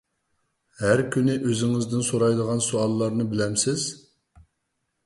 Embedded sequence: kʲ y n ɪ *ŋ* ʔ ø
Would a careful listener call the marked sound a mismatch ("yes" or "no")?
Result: yes